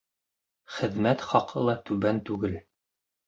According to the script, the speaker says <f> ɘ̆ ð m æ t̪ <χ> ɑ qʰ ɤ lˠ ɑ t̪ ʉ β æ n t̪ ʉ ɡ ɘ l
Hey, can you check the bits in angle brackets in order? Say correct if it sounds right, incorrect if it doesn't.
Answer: incorrect: χ, correct

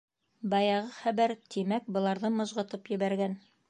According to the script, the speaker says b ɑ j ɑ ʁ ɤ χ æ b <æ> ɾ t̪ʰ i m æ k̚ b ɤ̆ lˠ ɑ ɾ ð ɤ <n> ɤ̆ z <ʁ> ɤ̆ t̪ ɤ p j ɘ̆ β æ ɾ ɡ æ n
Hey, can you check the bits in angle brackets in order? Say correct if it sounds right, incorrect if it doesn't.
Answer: correct, incorrect: m, correct

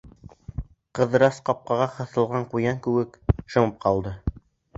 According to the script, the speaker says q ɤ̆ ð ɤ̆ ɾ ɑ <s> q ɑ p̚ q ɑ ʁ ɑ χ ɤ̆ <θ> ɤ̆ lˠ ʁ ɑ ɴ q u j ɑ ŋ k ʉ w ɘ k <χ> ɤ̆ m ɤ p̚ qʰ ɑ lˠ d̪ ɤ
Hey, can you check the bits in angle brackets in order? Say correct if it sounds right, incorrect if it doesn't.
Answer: correct, correct, incorrect: ʃ

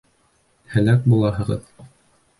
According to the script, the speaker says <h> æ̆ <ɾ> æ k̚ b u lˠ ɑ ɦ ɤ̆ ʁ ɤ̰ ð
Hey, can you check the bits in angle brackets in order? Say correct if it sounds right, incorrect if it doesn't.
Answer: correct, incorrect: l

